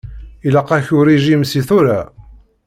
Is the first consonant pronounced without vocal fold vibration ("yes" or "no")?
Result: no